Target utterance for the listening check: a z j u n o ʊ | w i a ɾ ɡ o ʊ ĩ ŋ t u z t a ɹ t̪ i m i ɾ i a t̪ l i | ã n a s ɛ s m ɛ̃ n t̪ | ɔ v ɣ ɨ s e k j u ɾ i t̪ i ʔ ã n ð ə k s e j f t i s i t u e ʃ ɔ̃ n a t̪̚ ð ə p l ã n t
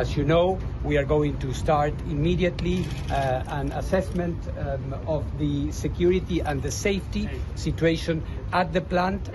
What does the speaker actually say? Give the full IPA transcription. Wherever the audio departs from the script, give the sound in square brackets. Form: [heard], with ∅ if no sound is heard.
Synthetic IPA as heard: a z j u n o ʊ | w i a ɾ ɡ o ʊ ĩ ŋ t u [s] t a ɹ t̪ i m i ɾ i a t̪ l i | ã n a s ɛ s m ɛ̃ n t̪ | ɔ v [ð] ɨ s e k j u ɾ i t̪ i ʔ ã n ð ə [∅] s e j f t i s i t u e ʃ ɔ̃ n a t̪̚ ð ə p l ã n t